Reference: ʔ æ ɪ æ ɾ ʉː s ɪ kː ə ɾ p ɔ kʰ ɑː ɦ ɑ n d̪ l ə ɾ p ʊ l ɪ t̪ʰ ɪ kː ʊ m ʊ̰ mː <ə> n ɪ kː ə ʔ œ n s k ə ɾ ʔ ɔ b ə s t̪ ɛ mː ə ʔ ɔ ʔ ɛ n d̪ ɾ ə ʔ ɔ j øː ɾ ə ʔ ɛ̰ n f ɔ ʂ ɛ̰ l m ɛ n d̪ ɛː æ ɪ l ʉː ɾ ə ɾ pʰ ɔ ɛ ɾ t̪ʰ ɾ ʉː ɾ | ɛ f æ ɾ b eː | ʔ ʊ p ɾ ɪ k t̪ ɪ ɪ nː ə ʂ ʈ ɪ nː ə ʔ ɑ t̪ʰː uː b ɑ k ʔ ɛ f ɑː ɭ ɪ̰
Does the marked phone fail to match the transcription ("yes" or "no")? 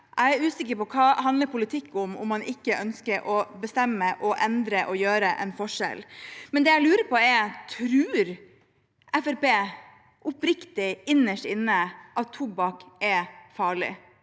yes